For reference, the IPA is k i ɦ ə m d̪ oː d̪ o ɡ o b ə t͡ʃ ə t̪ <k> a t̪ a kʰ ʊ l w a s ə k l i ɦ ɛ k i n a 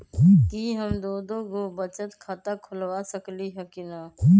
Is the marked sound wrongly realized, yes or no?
yes